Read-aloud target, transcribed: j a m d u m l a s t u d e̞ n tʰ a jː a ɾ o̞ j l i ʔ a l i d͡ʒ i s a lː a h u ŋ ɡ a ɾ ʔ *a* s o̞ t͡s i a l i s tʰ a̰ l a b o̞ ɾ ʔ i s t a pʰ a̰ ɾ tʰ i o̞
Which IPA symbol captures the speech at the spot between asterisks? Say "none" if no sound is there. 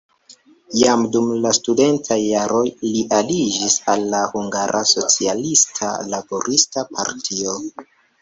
a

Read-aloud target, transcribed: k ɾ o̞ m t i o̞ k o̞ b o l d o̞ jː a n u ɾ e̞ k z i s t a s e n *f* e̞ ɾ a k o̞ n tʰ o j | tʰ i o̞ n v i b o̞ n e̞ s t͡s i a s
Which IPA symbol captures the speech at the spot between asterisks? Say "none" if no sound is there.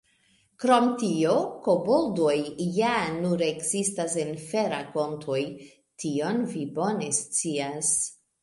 f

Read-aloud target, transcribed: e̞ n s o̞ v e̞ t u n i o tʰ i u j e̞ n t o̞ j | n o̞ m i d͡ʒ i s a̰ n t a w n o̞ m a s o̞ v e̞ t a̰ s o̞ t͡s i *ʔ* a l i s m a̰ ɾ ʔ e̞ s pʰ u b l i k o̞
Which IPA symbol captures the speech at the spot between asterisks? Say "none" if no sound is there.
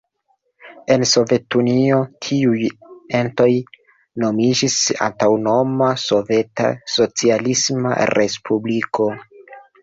none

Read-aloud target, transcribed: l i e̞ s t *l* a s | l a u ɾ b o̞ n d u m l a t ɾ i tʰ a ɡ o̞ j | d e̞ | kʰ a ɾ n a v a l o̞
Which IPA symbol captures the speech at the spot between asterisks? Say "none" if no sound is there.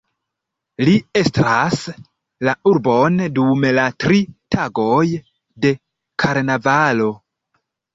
ɾ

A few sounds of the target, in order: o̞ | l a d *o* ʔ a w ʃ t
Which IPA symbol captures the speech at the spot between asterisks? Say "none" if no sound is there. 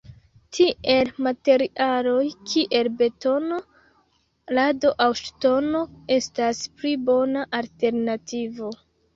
o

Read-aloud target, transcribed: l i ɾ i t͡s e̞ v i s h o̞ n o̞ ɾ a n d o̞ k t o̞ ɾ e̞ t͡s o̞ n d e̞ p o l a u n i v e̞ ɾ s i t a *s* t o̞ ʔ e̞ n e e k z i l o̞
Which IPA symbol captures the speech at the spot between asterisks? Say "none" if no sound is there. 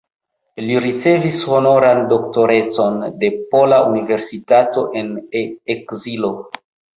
none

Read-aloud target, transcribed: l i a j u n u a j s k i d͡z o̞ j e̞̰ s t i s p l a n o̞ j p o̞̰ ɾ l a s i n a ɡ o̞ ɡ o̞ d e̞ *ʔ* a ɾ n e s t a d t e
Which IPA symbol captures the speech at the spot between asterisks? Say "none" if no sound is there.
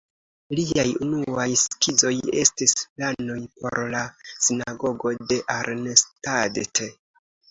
ʔ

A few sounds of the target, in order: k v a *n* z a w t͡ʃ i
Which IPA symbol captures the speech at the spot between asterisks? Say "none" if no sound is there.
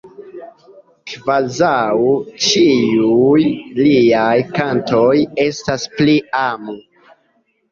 none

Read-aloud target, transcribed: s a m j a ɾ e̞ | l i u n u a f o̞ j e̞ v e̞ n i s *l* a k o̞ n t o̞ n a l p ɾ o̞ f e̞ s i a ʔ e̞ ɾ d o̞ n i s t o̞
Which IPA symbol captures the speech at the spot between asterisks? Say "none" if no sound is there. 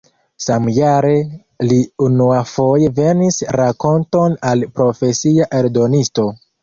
ɾ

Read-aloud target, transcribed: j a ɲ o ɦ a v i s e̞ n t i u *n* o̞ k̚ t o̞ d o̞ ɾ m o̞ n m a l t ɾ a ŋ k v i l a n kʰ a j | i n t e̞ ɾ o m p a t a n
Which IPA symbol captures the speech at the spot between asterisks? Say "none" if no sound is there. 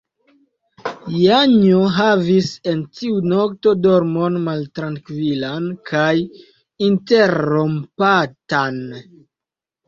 n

